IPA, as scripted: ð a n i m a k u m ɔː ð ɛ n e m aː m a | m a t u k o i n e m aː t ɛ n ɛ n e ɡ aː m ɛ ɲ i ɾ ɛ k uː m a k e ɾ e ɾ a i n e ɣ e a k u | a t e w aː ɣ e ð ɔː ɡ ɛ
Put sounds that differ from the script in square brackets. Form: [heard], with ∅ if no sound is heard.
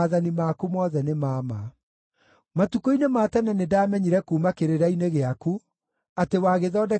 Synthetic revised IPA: ð a n i m a k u m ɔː ð ɛ n e m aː m a | m a t u k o i n e m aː t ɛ n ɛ n e [d] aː m ɛ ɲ i ɾ ɛ k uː m a k e ɾ e ɾ a i n e ɣ e a k u | a t e w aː ɣ e ð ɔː [d] ɛ